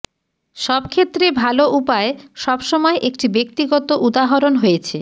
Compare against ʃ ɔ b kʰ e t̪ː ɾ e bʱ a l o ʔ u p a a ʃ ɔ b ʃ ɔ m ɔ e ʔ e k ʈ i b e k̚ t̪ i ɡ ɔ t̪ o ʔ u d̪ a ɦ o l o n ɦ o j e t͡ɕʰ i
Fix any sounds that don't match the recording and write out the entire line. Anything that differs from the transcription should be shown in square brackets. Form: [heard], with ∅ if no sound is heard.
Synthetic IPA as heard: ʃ ɔ b kʰ e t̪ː ɾ e bʱ a l o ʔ u p a [e] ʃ ɔ b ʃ ɔ m ɔ e ʔ e k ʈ i b e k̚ t̪ i ɡ ɔ t̪ o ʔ u d̪ a ɦ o [ɾ] o n ɦ o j e t͡ɕʰ [e]